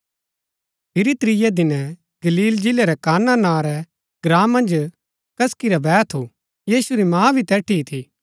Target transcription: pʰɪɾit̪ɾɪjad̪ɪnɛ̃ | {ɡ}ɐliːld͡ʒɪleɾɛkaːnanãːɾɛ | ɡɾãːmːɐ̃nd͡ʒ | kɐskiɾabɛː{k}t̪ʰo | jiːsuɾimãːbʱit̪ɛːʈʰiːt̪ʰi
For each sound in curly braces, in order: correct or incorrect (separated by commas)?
correct, incorrect